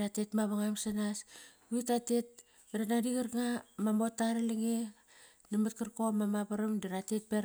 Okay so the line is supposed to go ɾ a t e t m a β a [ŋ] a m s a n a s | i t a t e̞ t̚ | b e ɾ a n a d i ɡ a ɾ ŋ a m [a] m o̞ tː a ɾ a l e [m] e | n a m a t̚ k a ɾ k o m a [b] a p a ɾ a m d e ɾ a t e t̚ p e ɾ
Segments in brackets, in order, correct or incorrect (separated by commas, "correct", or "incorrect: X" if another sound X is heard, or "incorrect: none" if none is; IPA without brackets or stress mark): correct, correct, incorrect: ŋ, incorrect: m